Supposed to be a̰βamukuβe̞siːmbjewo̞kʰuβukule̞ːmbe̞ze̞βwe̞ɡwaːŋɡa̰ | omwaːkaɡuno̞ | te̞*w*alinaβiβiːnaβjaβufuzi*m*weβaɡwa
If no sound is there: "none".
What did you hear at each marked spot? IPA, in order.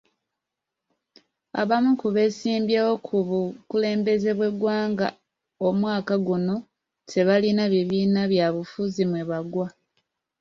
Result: β, m

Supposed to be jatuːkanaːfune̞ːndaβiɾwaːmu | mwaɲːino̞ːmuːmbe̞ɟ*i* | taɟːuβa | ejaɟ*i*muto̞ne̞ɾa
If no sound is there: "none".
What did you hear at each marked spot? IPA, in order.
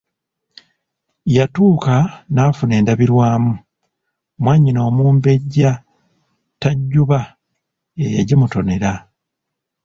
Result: a, i

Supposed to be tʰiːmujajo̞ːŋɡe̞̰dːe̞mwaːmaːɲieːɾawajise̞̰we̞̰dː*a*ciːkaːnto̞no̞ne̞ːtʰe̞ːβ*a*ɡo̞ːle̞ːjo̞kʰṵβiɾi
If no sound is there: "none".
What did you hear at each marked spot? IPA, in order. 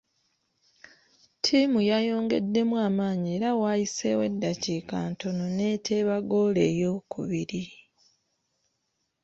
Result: a, a

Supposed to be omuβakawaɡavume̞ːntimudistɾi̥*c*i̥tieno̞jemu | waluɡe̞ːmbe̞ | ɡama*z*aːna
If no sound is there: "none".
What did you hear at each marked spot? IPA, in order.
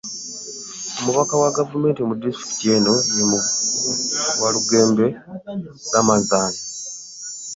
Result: k, z

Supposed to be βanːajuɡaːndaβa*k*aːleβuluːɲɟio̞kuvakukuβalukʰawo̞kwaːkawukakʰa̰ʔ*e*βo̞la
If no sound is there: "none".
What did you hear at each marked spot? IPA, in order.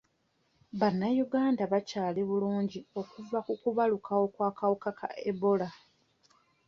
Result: c, e

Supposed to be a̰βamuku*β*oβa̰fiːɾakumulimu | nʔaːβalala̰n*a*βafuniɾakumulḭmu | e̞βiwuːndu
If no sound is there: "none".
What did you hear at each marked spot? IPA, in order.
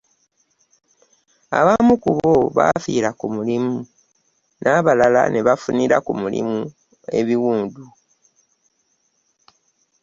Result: β, e

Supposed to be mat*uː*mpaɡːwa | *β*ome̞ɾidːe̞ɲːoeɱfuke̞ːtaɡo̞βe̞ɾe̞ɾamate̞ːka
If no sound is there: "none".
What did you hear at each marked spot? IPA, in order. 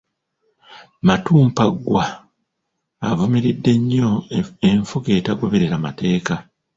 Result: uː, v

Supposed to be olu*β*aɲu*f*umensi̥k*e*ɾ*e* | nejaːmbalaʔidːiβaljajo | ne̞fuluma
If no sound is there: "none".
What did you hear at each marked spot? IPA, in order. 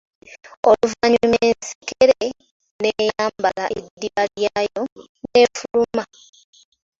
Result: v, none, e, e

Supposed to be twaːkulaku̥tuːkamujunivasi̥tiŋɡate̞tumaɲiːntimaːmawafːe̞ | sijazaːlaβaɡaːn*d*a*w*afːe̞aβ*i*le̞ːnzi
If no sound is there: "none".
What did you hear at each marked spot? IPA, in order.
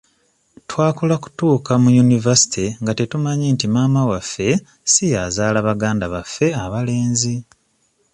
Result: d, β, a

